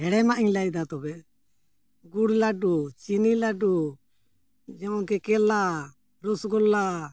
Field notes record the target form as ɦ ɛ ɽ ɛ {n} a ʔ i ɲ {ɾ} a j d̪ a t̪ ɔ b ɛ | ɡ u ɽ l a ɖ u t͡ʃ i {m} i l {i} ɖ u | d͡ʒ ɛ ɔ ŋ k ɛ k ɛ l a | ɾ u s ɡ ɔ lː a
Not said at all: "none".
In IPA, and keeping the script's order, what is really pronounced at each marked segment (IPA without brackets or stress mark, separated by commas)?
m, l, n, a